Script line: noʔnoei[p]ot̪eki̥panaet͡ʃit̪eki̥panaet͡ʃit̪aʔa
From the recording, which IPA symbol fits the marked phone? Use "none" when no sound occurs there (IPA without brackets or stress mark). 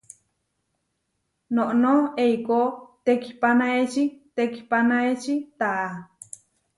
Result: k